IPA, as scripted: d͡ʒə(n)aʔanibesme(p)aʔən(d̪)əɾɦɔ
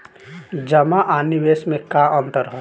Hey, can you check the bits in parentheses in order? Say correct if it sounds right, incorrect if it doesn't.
incorrect, incorrect, incorrect

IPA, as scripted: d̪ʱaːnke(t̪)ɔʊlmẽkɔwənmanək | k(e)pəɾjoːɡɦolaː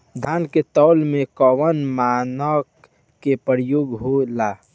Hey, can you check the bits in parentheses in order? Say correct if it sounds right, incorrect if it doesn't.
correct, correct

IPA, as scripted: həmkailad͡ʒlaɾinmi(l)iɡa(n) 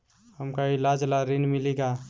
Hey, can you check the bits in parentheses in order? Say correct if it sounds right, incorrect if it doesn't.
correct, incorrect

